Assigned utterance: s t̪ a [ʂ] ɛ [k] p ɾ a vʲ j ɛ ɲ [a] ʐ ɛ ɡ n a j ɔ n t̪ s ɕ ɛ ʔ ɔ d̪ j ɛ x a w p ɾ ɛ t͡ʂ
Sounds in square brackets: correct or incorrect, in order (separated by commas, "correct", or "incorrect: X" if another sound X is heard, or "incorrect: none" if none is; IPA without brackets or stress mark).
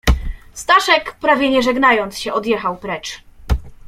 correct, correct, incorrect: ɛ